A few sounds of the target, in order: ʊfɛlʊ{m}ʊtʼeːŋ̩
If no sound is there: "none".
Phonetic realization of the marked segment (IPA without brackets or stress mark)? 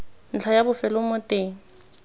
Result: m